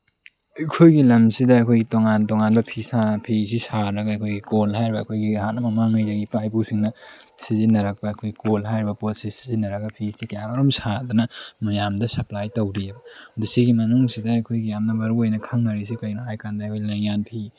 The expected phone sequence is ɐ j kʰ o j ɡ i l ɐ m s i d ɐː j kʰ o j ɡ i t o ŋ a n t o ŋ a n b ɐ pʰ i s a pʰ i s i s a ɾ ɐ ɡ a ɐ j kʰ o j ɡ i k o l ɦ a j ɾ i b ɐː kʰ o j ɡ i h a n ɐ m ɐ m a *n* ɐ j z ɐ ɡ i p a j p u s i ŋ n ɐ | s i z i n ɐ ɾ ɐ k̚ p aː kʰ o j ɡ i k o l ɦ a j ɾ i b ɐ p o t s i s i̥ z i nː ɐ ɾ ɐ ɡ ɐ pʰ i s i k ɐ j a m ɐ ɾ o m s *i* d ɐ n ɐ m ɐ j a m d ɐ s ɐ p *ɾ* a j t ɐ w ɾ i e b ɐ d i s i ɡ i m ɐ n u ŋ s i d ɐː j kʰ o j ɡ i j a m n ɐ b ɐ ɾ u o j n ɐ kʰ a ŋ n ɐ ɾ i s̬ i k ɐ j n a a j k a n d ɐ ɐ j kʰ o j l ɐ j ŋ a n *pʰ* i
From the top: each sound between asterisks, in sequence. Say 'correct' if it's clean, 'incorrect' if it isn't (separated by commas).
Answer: incorrect, incorrect, incorrect, correct